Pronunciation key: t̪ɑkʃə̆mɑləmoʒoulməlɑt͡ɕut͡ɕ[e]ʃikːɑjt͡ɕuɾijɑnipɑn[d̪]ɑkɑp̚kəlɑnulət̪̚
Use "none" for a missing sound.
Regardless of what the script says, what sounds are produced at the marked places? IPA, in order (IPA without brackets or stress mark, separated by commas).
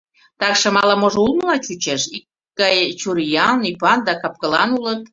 e, d̪